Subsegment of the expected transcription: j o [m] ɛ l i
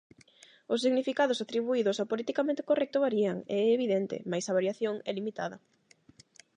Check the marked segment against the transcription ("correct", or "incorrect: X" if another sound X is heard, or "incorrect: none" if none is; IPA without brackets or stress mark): incorrect: ŋ